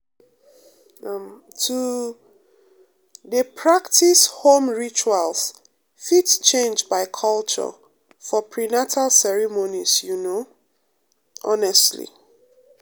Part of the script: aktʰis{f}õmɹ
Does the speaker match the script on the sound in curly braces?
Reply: no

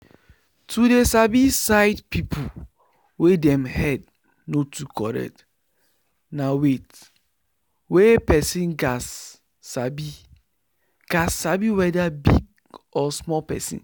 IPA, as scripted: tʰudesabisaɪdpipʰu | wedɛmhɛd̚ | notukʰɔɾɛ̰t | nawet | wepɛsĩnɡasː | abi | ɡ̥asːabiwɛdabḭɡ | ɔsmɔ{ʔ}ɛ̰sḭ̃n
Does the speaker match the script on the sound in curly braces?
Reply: no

